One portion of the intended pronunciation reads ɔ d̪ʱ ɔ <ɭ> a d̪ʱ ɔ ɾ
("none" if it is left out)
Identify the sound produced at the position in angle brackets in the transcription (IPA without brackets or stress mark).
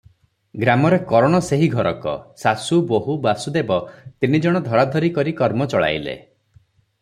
ɾ